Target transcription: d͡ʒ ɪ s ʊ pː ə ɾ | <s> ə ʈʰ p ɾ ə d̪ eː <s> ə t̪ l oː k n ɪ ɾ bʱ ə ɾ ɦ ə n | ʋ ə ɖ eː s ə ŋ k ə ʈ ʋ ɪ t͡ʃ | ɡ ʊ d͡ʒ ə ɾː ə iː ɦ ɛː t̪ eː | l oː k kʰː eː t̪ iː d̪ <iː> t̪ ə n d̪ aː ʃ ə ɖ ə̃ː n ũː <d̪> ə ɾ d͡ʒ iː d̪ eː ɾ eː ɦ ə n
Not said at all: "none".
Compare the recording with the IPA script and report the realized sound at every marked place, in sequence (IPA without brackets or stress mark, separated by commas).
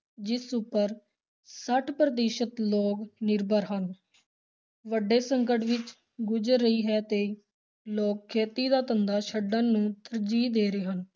s, ʃ, aː, t̪